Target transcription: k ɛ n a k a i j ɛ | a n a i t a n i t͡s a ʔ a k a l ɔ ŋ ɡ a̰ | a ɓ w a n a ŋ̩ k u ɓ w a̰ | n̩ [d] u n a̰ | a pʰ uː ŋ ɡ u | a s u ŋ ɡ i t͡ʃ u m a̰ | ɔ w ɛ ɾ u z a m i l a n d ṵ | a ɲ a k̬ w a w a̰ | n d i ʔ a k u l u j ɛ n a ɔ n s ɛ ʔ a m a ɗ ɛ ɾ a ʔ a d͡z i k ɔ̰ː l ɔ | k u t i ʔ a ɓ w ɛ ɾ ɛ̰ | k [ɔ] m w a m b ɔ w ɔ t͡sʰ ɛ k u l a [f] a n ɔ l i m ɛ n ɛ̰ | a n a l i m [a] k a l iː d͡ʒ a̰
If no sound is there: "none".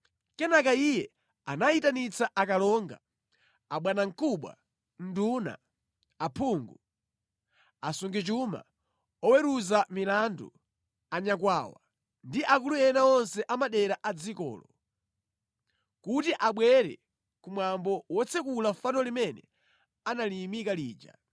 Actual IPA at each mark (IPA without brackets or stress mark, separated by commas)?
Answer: d, u, f, i